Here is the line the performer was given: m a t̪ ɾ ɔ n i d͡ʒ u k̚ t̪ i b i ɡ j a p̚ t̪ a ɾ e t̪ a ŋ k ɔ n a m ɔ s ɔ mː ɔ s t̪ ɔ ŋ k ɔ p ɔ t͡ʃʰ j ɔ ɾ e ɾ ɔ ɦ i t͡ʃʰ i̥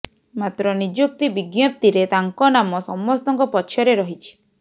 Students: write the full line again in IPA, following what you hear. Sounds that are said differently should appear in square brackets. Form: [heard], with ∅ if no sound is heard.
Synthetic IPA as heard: m a t̪ ɾ ɔ n i d͡ʒ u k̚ t̪ i b i ɡ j a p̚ t̪ [i] ɾ e t̪ a ŋ k ɔ n a m ɔ s ɔ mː ɔ s t̪ ɔ ŋ k ɔ p ɔ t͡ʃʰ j ɔ ɾ e ɾ ɔ ɦ i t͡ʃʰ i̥